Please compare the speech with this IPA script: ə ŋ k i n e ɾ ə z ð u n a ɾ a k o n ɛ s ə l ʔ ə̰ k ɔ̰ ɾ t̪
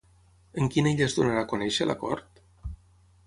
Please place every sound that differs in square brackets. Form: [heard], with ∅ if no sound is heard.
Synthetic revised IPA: ə ŋ k i n e [ʎ] ə z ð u n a ɾ a k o n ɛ [ʃ] ə l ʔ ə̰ k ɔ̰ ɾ t̪